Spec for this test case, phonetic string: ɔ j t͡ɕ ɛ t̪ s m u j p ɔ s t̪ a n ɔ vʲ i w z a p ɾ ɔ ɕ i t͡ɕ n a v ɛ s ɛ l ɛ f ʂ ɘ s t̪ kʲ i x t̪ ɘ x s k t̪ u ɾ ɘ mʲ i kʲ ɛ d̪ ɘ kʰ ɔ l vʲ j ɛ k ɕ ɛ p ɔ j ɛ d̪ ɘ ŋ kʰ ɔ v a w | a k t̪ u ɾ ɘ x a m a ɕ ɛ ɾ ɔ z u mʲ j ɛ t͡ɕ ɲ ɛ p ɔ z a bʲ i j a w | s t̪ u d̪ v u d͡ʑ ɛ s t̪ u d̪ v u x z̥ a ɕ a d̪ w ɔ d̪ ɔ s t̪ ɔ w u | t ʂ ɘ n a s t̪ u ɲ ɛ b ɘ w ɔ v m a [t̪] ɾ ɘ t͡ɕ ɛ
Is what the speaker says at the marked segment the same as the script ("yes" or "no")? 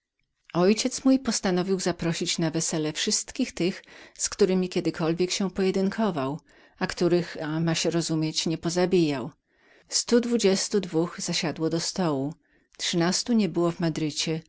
no